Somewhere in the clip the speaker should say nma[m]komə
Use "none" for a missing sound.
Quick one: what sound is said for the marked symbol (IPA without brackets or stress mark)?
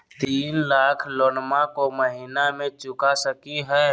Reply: none